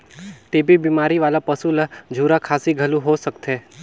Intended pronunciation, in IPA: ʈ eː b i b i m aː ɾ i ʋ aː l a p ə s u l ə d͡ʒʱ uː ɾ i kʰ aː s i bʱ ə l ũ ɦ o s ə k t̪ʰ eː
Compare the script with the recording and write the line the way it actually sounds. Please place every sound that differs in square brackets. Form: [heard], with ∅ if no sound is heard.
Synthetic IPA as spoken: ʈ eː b i b i m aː ɾ i ʋ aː l a p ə s u l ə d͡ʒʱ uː ɾ [a] kʰ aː s i [ɡʱ] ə l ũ ɦ o s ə k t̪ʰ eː